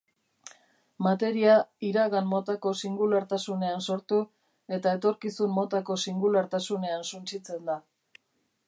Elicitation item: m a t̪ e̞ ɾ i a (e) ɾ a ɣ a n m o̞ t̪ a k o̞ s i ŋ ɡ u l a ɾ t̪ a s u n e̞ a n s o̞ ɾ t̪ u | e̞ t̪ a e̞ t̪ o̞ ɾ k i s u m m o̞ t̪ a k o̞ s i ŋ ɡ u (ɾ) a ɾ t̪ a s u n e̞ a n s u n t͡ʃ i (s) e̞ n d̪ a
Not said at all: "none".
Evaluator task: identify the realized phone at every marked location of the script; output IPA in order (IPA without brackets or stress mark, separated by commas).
i, l, t͡s